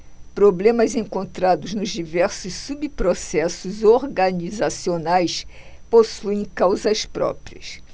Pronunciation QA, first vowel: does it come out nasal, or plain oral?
oral